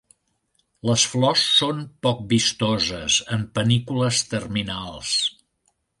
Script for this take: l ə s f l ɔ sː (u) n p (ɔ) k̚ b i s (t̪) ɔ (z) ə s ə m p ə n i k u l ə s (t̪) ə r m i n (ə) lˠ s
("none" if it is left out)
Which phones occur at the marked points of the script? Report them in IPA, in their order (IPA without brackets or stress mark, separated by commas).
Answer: o, ɔ, t̪, z, t̪, a